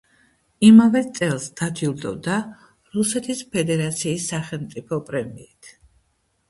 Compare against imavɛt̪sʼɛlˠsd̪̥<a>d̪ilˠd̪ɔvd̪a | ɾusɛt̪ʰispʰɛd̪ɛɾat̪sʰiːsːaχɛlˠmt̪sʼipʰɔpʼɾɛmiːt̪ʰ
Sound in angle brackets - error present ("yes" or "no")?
no